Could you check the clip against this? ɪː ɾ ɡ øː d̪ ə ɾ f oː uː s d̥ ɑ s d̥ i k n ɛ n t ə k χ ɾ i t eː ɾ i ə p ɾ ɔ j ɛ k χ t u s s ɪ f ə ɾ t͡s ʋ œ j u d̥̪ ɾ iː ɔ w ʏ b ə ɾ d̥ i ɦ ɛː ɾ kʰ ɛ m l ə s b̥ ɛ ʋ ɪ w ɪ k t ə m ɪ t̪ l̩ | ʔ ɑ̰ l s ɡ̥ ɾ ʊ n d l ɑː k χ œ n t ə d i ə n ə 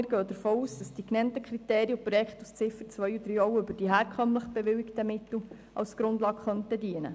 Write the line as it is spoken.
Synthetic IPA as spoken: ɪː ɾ ɡ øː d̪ ə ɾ f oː uː s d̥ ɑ s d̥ i k n ɛ n t ə k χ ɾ i t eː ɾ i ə p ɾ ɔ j ɛ k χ t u s t͡s ɪ f ə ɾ t͡s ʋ œ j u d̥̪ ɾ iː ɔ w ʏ b ə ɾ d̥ i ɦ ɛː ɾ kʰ œ m l ə χ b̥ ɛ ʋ ɪ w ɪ k t ə m ɪ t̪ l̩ | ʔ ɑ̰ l s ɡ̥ ɾ ʊ n d l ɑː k χ œ n t ə d i ə n ə